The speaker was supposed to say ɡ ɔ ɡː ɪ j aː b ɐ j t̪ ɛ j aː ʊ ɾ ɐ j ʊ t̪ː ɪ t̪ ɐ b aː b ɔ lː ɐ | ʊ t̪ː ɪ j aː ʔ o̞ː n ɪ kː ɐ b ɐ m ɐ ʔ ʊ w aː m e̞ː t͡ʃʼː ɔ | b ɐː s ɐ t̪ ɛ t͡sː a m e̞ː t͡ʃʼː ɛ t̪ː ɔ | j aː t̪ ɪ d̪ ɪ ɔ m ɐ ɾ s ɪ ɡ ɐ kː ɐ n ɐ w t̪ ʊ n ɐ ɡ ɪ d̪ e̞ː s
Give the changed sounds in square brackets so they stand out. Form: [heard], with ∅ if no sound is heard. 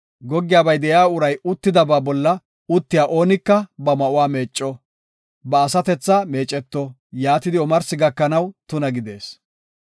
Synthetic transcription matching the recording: ɡ ɔ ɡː ɪ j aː b ɐ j [d̪] ɛ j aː ʊ ɾ ɐ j ʊ t̪ː ɪ [d̪] ɐ b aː b ɔ lː ɐ | ʊ t̪ː ɪ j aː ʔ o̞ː n ɪ kː ɐ b ɐ m ɐ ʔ ʊ w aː m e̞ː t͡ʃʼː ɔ | b ɐː s ɐ t̪ ɛ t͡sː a m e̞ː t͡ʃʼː ɛ t̪ː ɔ | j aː t̪ ɪ d̪ ɪ ɔ m ɐ ɾ s ɪ ɡ ɐ kː ɐ n ɐ w t̪ ʊ n ɐ ɡ ɪ d̪ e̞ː s